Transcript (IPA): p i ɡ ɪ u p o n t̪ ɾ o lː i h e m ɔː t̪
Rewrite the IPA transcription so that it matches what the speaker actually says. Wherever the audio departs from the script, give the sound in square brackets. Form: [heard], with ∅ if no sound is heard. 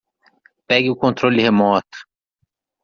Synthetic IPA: p [ɛ] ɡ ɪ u [k] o n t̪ ɾ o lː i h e m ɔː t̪